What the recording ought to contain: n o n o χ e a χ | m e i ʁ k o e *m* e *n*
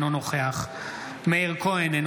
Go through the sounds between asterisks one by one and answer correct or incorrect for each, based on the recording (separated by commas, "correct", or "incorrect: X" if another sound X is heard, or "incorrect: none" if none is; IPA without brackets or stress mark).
incorrect: n, correct